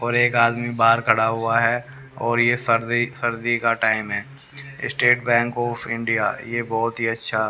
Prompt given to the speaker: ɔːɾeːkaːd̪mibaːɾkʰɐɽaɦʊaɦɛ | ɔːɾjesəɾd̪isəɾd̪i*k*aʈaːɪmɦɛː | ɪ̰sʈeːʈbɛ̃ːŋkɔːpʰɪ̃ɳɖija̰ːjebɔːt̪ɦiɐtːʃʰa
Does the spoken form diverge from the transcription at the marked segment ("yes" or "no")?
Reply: no